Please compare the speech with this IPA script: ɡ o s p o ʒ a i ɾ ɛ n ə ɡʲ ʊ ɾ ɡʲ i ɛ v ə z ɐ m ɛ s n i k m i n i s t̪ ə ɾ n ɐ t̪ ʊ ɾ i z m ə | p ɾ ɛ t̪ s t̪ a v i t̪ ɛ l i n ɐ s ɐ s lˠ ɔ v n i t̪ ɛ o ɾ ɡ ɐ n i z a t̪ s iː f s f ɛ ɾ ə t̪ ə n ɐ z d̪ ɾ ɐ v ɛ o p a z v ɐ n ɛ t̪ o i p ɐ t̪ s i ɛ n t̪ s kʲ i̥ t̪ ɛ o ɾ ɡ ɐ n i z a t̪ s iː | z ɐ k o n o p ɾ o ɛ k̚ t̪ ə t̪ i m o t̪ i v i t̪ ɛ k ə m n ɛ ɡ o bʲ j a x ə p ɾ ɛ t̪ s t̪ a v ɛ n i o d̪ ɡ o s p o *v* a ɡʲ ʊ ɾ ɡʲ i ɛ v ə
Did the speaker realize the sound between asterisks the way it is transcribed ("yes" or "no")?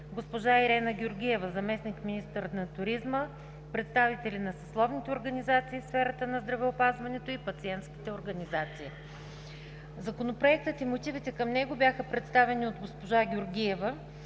no